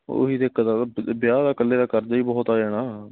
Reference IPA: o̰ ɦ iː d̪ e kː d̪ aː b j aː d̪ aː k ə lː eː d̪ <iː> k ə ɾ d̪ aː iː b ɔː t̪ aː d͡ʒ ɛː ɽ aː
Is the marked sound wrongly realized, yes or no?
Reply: yes